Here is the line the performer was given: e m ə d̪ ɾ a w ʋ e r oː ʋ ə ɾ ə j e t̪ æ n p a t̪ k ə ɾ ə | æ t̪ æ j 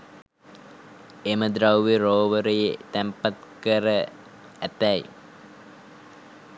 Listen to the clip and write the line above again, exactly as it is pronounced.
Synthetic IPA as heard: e m ə d̪ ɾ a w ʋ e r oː ʋ ə ɾ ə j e t̪ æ m p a t̪ k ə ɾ ə | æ t̪ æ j